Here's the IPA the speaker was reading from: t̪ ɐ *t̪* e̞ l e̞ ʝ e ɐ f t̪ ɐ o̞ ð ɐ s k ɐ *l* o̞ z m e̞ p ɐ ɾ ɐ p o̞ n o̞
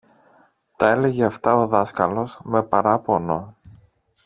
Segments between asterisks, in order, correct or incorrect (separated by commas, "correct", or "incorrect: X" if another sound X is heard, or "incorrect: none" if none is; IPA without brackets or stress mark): incorrect: none, correct